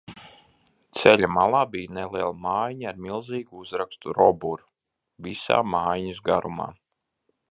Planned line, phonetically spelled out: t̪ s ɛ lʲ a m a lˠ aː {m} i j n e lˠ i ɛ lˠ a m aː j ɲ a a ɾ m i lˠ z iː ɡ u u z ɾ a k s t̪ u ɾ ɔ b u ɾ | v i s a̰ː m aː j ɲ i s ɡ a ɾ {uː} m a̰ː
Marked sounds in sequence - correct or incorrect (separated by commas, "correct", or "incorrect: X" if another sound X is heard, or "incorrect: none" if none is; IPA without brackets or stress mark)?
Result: incorrect: b, incorrect: u